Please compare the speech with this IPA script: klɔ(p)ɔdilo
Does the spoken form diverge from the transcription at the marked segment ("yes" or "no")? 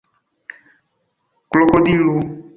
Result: yes